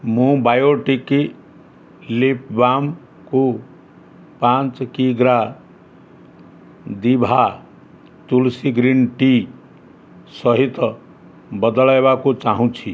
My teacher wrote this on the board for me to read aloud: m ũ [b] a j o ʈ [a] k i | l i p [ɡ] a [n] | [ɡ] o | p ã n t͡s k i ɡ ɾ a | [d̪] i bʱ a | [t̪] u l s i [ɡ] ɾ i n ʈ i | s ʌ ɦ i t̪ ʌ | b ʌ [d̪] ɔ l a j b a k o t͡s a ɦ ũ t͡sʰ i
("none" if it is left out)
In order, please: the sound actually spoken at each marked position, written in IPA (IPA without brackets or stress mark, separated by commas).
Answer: b, i, b, m, k, d̪, t̪, ɡ, d̪